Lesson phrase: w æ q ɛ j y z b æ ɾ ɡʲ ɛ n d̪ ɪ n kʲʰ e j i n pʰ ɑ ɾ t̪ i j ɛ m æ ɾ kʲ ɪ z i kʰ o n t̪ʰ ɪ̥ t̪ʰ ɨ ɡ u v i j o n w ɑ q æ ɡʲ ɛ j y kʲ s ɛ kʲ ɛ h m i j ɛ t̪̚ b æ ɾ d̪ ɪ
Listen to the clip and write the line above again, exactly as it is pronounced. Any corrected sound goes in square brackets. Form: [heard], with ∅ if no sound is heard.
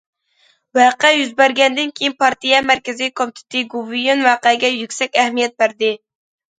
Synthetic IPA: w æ q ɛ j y z b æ ɾ ɡʲ ɛ n d̪ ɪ n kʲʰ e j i n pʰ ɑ ɾ t̪ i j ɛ m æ ɾ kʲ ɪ z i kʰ o [m] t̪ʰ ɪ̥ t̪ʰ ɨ ɡ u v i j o n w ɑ q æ ɡʲ ɛ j y kʲ s ɛ kʲ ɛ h m i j ɛ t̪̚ b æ ɾ d̪ ɪ